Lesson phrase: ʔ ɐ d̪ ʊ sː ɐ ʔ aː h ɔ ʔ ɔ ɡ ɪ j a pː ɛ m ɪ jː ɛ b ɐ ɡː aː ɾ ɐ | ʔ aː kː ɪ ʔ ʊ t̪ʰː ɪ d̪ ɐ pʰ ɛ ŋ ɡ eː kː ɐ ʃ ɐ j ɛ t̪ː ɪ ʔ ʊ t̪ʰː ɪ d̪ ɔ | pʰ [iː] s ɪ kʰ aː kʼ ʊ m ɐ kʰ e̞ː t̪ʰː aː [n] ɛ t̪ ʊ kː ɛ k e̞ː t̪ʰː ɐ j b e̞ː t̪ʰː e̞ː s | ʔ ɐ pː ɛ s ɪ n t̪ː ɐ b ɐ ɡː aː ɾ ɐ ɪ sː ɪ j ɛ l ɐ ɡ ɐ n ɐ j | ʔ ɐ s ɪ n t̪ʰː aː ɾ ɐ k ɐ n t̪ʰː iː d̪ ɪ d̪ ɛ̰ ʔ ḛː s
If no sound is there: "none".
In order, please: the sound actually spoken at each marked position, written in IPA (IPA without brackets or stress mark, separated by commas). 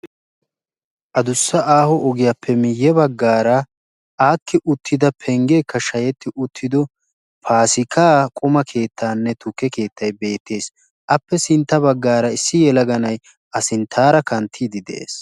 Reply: aː, nː